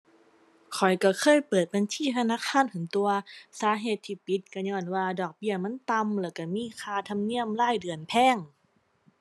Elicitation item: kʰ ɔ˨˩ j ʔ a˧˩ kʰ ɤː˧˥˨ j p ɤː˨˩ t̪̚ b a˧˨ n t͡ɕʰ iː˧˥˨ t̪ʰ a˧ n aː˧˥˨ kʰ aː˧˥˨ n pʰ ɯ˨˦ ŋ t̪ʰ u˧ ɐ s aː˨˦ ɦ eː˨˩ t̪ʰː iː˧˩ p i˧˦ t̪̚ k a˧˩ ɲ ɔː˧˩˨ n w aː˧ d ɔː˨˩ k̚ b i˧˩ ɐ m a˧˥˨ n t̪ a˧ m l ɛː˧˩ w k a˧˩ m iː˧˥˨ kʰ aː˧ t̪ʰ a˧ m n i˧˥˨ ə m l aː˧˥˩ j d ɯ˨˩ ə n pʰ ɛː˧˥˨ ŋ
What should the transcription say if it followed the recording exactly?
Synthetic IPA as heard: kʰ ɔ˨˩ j k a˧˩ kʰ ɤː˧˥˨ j p ɤː˨˩ t̪̚ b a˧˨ n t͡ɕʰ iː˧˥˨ t̪ʰ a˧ n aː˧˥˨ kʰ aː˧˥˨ n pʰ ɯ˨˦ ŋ t̪ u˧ ɐ s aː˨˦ ɦ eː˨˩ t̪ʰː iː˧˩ p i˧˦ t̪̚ k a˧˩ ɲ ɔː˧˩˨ n w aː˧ d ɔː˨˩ k̚ b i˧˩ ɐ m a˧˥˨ n t̪ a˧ m l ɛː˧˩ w k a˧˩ m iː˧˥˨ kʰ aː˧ t̪ʰ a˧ m n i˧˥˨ ə m l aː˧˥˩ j d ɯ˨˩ ə n pʰ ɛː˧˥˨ ŋ

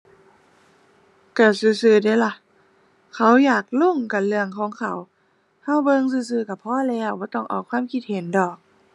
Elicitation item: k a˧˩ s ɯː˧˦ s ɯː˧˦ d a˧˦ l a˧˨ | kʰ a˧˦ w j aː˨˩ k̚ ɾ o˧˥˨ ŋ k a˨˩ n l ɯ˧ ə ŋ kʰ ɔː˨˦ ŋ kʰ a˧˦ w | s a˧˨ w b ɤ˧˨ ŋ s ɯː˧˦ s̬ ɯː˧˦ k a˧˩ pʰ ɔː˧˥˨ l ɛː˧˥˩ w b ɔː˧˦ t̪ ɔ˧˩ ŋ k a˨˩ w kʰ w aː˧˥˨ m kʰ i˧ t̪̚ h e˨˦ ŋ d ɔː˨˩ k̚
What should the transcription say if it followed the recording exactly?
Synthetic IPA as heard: k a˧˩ s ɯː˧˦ s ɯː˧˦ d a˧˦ l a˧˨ | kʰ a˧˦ w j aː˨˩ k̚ l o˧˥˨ ŋ k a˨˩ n l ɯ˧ ə ŋ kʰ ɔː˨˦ ŋ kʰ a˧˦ w | h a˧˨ w b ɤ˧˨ ŋ s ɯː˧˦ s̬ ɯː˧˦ k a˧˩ pʰ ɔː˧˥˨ l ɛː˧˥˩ w b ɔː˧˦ t̪ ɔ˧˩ ŋ ʔ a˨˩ w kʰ w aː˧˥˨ m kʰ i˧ t̪̚ h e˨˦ n d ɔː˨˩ k̚

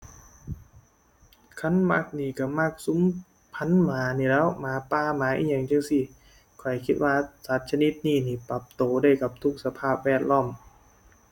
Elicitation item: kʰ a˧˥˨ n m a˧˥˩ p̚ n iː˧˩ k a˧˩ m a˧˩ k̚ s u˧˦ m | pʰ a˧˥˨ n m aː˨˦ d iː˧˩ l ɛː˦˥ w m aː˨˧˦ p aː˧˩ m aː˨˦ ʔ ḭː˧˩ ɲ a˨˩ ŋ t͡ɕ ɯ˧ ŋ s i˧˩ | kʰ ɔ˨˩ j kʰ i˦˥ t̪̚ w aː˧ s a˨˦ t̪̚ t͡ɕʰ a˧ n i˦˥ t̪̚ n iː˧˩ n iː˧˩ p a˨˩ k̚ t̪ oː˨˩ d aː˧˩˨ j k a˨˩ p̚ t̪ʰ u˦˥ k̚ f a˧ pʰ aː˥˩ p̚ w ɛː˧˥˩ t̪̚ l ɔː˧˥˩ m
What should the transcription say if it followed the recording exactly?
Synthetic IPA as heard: kʰ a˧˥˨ n m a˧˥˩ k̚ n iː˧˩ k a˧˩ m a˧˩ k̚ s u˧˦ m | pʰ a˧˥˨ n m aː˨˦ n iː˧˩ l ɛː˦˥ w m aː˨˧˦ p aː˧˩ m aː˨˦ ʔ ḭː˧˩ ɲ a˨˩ ŋ t͡ɕ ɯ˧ ŋ s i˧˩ | kʰ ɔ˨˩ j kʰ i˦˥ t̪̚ w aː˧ s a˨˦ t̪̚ t͡ɕʰ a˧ n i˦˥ t̪̚ n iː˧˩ n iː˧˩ p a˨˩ p̚ t̪ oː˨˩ d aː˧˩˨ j k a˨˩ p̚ t̪ʰ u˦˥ k̚ s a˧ pʰ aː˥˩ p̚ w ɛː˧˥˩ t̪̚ l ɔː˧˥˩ m

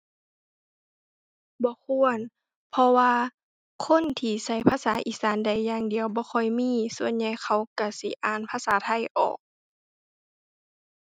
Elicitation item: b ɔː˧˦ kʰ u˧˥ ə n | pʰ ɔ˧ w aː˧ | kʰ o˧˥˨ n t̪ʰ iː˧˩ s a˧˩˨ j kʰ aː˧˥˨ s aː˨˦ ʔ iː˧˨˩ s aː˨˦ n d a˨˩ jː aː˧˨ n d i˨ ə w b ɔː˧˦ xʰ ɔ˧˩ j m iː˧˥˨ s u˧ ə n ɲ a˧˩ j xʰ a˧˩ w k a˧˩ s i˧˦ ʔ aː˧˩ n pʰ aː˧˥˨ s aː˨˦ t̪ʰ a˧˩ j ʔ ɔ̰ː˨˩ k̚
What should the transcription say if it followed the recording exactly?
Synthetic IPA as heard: b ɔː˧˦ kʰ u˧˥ ə n | pʰ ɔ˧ w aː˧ | kʰ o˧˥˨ n t̪ʰ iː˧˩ s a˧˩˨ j pʰ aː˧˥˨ s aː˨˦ ʔ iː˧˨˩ s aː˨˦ n d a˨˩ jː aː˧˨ ŋ d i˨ ə w b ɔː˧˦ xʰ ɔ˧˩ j m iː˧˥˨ s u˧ ə n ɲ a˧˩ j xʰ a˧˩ w k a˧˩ s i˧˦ ʔ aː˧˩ n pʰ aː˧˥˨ s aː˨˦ t̪ʰ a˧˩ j ʔ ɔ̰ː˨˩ k̚

